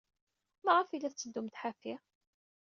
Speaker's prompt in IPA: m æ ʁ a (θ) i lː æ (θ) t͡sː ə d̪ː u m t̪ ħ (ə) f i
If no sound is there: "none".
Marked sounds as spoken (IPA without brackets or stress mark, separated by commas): f, θ, a